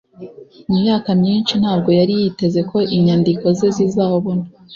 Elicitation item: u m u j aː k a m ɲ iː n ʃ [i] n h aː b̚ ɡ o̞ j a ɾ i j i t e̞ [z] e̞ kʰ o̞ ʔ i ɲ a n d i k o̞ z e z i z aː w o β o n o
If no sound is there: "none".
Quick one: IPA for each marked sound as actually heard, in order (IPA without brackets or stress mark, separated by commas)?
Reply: i, z